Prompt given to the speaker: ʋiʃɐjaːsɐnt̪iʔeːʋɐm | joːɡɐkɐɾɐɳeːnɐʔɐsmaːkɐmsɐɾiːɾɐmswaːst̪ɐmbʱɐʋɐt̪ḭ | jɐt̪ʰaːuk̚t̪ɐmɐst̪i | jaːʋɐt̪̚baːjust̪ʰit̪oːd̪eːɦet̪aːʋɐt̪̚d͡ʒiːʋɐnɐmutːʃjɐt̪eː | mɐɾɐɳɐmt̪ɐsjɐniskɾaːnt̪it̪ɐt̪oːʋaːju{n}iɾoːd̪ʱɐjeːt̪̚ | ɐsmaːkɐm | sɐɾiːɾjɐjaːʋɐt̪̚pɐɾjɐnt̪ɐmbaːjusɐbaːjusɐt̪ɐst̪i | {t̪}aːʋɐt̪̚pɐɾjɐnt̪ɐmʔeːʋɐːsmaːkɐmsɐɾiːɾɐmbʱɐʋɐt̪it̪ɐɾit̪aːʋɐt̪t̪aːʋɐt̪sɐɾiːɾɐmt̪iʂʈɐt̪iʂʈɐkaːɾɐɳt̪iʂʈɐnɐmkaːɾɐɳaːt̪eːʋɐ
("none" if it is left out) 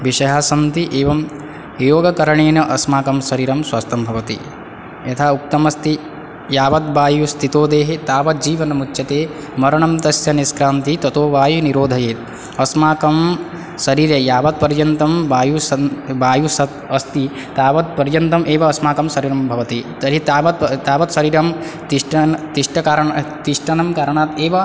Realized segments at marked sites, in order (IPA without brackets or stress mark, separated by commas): n, t̪